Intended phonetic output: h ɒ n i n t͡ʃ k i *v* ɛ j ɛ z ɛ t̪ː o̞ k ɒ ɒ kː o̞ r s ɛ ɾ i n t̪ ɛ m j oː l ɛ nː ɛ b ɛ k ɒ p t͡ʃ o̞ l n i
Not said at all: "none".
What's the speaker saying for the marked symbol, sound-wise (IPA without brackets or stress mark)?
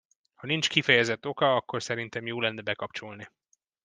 f